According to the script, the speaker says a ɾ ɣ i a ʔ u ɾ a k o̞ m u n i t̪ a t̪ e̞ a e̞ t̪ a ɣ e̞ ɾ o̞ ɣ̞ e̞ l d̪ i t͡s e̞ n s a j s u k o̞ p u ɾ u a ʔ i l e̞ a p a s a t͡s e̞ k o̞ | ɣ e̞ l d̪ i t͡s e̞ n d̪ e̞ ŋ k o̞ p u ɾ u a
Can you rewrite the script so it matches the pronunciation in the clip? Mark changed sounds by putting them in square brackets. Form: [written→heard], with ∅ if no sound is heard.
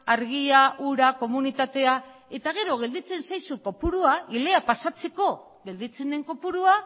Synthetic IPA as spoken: a ɾ ɣ i a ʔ u ɾ a k o̞ m u n i t̪ a t̪ e̞ a e̞ t̪ a ɣ e̞ ɾ o̞ ɣ̞ e̞ l d̪ i t͡s e̞ n s a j s u k o̞ p u ɾ u a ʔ i l e̞ a p a s a t͡s e̞ k o̞ | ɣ e̞ l d̪ i t͡s e̞ n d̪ e̞ ŋ k o̞ p u ɾ u a